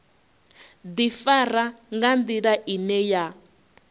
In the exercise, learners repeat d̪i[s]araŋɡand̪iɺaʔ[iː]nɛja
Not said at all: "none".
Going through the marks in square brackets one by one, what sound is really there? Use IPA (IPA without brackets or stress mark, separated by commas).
f, i